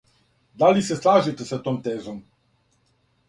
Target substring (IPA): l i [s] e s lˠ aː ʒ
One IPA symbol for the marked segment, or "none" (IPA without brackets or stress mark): s